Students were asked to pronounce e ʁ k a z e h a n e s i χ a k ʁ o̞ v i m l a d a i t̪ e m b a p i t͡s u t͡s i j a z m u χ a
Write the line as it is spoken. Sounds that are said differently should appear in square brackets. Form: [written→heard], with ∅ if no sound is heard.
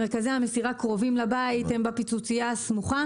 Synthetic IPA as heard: e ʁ k a z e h a [n→m] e s i [χ→ʁ] a k ʁ o̞ v i m l a [d→b] a i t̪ e m b a p i t͡s u t͡s i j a [z→s] m u χ a